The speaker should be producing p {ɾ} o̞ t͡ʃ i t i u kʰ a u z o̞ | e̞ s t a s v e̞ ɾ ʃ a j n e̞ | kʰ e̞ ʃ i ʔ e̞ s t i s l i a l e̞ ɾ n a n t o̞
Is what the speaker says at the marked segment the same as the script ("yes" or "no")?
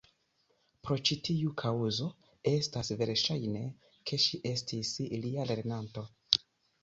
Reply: yes